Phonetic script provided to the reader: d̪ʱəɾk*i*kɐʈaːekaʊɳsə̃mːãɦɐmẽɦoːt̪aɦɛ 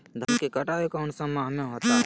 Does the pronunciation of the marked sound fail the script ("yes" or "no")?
yes